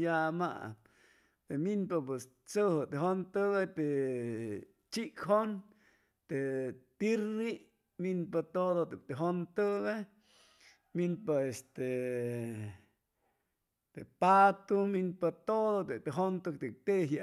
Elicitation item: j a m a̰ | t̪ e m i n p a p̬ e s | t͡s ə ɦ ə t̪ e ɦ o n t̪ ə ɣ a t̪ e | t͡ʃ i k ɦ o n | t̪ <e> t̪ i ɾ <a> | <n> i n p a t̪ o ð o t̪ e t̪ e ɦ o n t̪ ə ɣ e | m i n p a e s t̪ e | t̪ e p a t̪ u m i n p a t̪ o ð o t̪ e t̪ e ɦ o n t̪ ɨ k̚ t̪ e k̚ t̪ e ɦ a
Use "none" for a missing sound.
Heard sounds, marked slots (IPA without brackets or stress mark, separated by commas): e, i, m